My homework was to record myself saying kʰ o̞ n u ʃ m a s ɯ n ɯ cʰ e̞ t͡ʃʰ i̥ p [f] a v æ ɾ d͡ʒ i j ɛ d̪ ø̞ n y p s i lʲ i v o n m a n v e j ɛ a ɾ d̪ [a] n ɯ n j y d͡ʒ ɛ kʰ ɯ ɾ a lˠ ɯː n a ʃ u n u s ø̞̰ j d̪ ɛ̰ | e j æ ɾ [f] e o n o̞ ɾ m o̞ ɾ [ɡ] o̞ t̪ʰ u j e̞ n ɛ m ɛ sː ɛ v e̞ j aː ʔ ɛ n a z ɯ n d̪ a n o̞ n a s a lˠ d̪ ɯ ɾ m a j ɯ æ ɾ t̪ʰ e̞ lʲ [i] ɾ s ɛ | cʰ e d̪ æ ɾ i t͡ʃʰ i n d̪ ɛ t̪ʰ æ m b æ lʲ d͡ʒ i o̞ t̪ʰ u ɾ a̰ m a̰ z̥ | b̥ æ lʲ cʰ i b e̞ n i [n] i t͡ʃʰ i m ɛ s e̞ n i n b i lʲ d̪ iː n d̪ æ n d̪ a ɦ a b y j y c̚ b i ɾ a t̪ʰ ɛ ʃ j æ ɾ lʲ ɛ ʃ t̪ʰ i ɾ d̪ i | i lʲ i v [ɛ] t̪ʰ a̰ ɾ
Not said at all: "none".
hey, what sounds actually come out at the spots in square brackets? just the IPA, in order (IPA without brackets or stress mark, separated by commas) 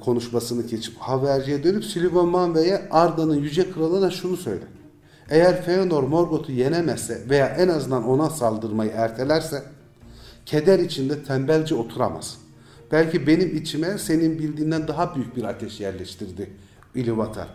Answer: h, a, f, ɡ, æ, m, a